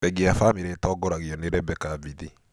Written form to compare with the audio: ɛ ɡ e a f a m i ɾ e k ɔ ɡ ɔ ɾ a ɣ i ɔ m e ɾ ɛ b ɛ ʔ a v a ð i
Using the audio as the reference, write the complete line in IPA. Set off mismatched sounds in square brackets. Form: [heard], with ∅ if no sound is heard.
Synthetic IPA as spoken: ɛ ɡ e a f a m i ɾ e [t] ɔ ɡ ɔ ɾ a ɣ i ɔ [n] e ɾ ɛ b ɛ [k] a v [i] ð i

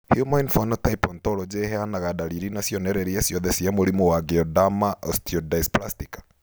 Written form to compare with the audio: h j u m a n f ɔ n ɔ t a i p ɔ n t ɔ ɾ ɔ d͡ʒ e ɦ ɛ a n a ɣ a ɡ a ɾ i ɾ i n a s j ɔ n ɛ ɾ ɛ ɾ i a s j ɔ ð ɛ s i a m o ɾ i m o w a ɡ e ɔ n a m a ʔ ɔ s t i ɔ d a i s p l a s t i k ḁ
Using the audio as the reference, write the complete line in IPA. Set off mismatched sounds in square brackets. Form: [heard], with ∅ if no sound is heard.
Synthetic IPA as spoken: h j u m a n f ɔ n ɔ t a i p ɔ n t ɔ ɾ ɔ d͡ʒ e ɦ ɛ a n a ɣ a [d] a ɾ i ɾ i n a s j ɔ n ɛ ɾ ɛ ɾ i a s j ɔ ð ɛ s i a m o ɾ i m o w a ɡ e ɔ [d] a m a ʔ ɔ s t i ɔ d a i s p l a s t i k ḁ

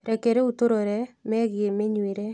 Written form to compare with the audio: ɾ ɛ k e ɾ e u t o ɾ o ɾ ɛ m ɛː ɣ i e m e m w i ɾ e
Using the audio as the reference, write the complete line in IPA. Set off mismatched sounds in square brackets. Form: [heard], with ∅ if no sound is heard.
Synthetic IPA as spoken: ɾ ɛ k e ɾ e u t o ɾ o ɾ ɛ m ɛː ɣ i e m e [ɲ] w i ɾ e

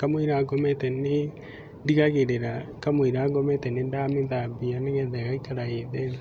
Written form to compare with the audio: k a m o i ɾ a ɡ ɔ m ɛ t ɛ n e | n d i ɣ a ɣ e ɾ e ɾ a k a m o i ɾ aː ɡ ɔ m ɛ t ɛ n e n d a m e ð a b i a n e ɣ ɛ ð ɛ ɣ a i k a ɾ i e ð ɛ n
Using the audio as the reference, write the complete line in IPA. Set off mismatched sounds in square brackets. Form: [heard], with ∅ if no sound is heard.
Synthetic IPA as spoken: k a m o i ɾ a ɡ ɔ m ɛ t ɛ n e | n d i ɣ a ɣ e ɾ e ɾ a k a m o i ɾ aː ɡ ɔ m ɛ t ɛ n e n d a m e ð a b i a n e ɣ ɛ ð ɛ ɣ a i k a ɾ [a] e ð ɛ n

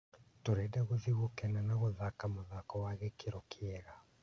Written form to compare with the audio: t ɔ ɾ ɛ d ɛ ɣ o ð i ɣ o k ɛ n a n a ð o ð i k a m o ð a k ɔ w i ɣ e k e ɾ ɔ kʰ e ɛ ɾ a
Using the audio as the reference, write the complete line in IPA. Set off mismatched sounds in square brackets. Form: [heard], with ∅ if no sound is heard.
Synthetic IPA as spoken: t [o] ɾ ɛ d ɛ ɣ o ð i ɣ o k ɛ n a n a [ɣ] o ð [a] k a m o ð a k ɔ w [a] ɣ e k e ɾ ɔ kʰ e ɛ ɾ a

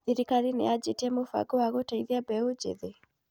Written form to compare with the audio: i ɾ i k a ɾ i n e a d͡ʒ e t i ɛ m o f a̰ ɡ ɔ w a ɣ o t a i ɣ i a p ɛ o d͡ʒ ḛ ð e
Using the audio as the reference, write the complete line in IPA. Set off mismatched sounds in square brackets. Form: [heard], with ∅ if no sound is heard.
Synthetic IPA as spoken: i ɾ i k a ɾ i n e a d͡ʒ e t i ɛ m o f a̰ ɡ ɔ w a ɣ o t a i [ð] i a [b] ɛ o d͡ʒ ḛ ð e

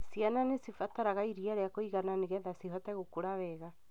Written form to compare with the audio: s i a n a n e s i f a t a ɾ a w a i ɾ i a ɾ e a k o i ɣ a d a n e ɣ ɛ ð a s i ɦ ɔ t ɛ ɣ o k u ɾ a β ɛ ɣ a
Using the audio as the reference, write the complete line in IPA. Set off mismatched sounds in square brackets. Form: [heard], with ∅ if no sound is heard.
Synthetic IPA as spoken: s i a n a n e s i f a t a ɾ a [ɣ] a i ɾ i a ɾ e a k o i ɣ a [n] a n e ɣ ɛ ð a s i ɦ ɔ t ɛ ɣ o k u ɾ a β ɛ ɣ a

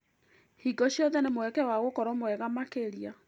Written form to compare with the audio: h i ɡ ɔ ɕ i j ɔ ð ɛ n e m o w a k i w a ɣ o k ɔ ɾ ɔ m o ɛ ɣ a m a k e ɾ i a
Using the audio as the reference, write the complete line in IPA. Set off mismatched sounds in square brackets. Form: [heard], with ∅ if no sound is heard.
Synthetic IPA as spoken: h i ɡ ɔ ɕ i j ɔ ð ɛ n e m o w [ɛ] k [ɛ] w a ɣ o k ɔ ɾ ɔ m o ɛ ɣ a m a k e ɾ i a

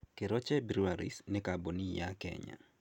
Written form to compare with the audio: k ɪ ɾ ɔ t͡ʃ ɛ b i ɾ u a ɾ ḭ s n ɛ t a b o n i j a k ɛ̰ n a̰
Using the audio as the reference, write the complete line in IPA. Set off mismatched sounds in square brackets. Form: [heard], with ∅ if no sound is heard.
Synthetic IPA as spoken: k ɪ ɾ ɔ t͡ʃ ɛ b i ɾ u a ɾ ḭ s n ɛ [k] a b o n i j a k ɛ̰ [ɲ] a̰

